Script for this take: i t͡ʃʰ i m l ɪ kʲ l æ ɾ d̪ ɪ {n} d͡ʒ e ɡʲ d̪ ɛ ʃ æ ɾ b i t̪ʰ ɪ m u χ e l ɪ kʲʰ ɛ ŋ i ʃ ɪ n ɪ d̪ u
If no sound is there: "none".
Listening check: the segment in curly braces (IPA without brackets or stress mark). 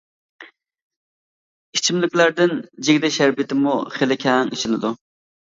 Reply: n